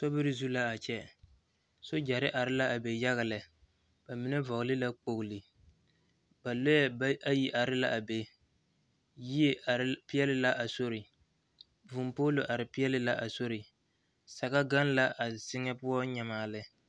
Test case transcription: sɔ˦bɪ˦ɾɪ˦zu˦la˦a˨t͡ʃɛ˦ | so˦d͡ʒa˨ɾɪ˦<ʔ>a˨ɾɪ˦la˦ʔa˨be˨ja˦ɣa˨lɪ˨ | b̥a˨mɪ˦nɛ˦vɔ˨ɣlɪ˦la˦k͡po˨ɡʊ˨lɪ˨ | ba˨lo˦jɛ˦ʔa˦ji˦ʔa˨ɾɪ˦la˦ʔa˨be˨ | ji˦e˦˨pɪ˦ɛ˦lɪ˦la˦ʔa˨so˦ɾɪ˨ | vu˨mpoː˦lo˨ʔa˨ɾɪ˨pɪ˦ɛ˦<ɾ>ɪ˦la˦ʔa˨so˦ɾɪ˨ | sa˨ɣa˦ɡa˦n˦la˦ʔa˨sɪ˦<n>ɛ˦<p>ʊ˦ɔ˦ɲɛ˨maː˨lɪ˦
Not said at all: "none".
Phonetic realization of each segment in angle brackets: ʔ, l, ŋ, p

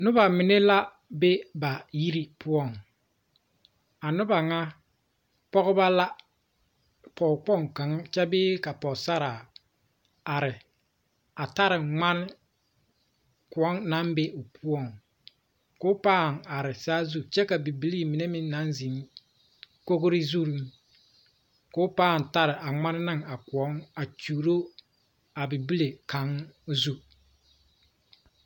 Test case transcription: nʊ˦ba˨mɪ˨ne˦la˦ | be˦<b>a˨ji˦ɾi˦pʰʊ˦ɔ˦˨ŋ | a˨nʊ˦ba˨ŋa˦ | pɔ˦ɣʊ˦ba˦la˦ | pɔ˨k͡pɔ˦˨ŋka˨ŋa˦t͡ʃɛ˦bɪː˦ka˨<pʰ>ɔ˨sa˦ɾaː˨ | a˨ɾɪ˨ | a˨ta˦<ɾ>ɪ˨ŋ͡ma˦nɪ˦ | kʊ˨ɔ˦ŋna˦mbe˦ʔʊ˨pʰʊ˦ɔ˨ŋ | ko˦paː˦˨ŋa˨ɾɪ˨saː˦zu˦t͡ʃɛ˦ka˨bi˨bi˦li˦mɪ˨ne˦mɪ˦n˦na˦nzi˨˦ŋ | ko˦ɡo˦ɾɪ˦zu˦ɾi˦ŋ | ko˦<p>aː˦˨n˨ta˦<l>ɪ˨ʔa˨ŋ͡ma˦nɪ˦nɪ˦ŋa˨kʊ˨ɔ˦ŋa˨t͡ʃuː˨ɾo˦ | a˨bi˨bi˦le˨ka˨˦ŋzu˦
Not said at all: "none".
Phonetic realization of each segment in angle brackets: b, p, ɾ, p, ɾ

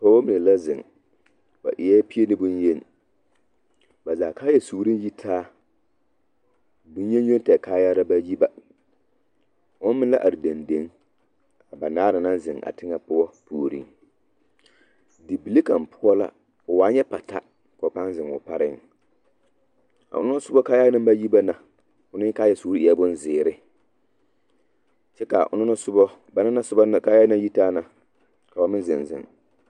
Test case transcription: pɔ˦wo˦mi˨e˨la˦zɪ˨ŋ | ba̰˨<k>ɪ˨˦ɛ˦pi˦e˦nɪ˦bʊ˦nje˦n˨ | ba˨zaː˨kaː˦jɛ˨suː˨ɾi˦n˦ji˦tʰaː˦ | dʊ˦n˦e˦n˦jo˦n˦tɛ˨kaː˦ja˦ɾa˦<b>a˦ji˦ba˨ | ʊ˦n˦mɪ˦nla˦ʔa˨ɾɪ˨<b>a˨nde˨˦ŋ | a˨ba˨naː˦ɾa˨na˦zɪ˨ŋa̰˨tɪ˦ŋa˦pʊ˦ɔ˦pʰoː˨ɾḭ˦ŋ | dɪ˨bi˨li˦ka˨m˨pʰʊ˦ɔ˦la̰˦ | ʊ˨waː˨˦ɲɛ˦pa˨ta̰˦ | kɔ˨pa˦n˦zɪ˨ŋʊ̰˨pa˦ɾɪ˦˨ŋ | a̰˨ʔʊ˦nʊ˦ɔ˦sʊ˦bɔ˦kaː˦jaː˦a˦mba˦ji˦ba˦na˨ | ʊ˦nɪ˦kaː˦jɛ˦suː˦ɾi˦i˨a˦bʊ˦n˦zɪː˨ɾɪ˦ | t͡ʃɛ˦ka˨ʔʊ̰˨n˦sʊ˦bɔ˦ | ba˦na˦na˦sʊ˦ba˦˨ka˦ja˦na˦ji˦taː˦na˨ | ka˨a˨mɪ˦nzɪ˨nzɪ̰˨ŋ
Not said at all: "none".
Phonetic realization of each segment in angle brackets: ʔ, b, d

